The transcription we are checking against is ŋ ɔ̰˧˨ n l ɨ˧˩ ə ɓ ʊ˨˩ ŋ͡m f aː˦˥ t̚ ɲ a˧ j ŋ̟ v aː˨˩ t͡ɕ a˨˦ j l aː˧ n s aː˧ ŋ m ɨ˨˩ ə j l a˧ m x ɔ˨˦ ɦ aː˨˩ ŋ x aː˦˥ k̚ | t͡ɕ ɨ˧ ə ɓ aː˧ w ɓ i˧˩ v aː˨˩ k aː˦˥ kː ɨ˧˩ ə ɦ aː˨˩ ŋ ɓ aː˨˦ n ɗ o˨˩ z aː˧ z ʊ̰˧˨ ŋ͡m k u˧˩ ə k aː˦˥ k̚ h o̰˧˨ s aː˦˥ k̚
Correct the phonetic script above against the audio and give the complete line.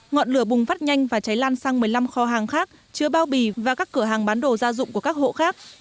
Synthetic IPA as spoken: ŋ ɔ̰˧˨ n l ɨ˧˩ ə ɓ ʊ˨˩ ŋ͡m f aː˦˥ t̚ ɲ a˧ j ŋ̟ v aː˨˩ t͡ɕ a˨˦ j l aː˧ n s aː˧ ŋ m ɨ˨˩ ə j l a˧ m x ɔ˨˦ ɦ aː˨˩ ŋ x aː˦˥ k̚ | t͡ɕ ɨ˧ ə ɓ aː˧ w ɓ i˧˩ v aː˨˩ k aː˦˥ kː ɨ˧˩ ə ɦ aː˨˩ ŋ ɓ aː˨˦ n ɗ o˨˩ z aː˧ z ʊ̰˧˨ ŋ͡m k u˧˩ ə k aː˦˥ k̚ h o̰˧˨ x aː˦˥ k̚